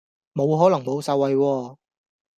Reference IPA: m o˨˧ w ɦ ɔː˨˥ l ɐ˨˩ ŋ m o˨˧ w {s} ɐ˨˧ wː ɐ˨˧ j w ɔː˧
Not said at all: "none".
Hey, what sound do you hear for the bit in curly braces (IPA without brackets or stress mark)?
s